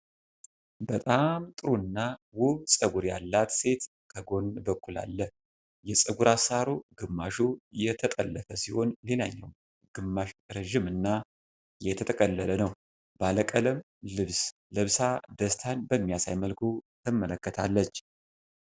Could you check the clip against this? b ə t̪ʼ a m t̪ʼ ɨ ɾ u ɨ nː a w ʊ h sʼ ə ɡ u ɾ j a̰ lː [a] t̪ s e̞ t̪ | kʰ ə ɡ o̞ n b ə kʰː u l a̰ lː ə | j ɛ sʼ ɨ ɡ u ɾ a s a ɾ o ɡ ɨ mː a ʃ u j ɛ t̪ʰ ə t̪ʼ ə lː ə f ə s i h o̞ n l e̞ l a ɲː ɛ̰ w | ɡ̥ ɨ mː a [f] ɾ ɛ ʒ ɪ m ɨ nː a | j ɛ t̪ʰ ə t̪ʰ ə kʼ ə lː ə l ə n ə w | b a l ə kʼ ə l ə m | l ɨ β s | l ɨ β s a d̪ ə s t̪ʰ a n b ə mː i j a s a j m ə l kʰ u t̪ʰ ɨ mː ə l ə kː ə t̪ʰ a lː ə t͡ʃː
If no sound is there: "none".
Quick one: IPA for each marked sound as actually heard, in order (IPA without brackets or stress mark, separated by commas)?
a, ʃ